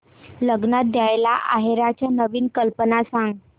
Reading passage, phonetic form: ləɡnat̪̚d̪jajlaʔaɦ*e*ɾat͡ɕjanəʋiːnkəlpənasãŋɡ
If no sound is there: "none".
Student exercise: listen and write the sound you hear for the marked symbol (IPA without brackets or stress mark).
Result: e